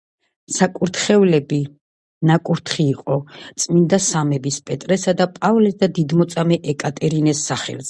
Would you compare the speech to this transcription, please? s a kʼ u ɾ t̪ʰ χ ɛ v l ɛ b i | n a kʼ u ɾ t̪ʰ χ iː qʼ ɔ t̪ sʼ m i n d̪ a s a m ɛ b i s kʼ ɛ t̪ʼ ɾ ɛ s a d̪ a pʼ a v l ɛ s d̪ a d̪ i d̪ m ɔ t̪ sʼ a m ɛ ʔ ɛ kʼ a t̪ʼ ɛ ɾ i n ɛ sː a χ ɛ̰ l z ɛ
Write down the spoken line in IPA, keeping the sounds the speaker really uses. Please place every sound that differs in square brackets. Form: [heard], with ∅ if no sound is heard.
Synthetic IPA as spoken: s a kʼ u ɾ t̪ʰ χ ɛ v l ɛ b i | n a kʼ u ɾ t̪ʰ χ iː qʼ ɔ t̪ sʼ m i n d̪ a s a m ɛ b i s [pʼ] ɛ t̪ʼ ɾ ɛ s a d̪ a pʼ a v l ɛ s d̪ a d̪ i d̪ m ɔ t̪ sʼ a m ɛ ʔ ɛ kʼ a t̪ʼ ɛ ɾ i n ɛ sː a χ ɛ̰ l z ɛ